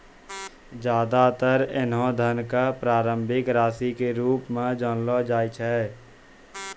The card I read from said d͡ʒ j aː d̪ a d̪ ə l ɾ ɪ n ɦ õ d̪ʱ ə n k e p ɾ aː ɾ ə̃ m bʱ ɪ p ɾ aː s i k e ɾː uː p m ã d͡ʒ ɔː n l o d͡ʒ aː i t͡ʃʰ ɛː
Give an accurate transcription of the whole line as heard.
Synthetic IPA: d͡ʒ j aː d̪ a t̪ ə ɾ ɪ n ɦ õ d̪ʱ ə n k a p ɾ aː ɾ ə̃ m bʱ ɪ k ɾ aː s i k e ɾ uː p m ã d͡ʒ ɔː n l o d͡ʒ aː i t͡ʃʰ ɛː